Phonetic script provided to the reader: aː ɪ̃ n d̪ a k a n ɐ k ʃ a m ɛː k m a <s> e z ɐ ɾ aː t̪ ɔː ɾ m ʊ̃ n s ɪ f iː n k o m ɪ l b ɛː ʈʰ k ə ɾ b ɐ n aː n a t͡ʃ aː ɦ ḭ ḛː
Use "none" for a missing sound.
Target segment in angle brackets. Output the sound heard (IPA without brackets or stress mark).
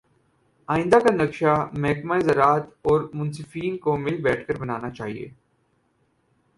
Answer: none